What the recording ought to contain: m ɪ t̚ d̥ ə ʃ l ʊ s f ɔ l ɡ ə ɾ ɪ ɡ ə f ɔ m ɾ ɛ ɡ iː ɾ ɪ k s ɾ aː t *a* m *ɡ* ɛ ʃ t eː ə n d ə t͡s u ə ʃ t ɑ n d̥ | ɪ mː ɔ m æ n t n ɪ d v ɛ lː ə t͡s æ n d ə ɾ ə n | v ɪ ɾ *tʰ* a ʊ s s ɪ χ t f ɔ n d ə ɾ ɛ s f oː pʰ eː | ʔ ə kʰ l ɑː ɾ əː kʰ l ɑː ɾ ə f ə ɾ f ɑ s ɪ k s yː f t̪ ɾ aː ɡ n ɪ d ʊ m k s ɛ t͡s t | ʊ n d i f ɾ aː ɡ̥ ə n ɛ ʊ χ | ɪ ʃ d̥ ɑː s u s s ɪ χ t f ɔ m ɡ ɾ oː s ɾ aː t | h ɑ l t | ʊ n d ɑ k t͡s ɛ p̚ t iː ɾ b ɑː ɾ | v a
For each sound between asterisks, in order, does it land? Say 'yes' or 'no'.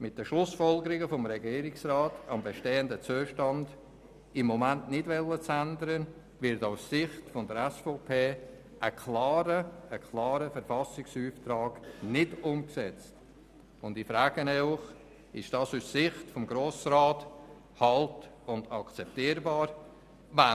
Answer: no, no, no

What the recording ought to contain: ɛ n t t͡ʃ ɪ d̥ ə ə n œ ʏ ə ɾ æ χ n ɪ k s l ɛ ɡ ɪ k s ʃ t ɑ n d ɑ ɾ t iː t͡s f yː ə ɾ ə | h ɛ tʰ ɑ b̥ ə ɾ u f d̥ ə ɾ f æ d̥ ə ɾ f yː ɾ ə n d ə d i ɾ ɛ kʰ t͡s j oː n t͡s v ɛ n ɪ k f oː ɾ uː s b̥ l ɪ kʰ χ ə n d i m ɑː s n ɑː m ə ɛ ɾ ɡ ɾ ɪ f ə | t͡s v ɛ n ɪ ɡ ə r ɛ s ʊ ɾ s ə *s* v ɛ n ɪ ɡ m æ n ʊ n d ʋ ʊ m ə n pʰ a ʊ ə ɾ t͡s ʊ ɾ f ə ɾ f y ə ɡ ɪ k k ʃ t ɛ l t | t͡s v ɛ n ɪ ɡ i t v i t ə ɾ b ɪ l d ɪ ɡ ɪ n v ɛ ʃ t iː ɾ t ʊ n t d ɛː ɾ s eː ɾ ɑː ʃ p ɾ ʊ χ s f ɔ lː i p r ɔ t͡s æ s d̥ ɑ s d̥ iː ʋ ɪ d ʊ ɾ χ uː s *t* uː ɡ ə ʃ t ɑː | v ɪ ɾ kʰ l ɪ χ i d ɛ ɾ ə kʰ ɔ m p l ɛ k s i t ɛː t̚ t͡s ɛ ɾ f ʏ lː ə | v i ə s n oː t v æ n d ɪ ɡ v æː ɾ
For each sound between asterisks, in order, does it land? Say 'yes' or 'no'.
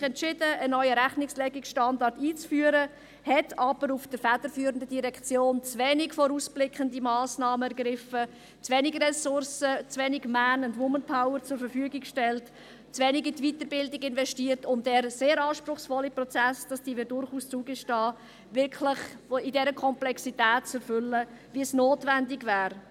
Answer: no, no

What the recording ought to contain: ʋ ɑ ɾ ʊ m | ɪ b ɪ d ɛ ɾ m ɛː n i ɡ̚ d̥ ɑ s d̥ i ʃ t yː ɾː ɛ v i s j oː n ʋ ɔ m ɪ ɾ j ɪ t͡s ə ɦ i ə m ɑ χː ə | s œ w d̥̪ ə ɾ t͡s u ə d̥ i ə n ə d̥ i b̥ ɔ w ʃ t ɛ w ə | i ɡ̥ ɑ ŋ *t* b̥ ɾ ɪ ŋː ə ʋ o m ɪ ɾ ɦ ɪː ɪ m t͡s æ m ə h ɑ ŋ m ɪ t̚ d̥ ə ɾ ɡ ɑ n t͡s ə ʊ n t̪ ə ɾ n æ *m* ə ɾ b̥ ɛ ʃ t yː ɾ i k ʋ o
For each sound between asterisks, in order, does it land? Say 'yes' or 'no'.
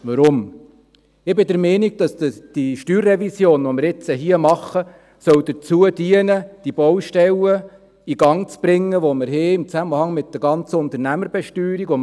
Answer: no, yes

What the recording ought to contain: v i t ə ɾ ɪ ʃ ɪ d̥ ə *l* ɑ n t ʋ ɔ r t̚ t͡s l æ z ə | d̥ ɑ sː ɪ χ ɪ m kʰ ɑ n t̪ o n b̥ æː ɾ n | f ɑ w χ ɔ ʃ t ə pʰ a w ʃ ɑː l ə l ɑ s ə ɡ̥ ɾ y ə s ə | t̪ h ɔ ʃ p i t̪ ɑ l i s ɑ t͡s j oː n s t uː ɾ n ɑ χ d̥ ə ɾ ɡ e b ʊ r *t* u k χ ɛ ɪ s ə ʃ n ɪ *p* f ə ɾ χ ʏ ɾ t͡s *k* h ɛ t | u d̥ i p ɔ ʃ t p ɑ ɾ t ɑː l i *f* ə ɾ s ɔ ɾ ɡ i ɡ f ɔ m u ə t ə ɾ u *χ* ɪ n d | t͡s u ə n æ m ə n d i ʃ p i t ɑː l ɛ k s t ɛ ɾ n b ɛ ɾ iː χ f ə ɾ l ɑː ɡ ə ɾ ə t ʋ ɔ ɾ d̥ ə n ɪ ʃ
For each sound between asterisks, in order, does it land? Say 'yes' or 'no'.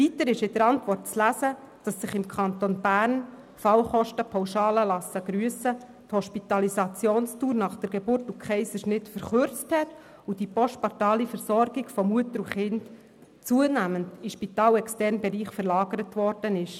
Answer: no, yes, no, no, yes, yes

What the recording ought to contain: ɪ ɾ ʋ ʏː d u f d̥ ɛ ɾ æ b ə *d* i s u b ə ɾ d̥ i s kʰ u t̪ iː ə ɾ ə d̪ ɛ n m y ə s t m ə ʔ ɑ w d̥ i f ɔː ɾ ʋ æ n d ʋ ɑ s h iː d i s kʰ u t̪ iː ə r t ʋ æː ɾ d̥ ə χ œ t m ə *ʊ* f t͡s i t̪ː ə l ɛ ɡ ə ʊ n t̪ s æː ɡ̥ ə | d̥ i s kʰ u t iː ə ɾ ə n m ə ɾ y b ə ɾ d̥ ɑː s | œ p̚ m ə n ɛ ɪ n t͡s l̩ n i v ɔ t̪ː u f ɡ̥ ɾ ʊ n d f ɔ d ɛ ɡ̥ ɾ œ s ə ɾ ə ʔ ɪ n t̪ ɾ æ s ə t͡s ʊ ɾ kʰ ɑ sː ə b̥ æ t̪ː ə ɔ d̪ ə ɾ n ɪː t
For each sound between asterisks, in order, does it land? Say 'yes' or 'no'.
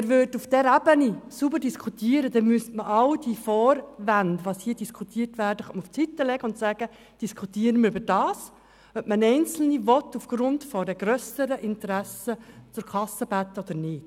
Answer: no, no

